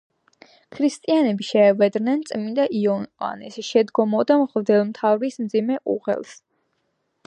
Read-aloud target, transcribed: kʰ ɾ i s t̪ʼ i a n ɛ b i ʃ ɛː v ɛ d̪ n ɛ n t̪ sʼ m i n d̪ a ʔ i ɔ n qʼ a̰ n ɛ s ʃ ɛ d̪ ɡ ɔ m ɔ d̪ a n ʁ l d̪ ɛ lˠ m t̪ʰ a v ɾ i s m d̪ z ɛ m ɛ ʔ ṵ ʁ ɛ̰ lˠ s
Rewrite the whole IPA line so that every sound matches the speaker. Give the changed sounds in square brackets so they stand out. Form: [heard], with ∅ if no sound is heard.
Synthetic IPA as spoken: kʰ ɾ i s t̪ʼ i a n ɛ b i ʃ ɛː v ɛ d̪ n ɛ n t̪ sʼ m i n d̪ a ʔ i ɔ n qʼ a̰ n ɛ s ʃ ɛ d̪ ɡ ɔ m ɔ d̪ a [m] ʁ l d̪ ɛ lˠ m t̪ʰ a v ɾ i s m d̪ z [i] m ɛ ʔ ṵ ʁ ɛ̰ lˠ s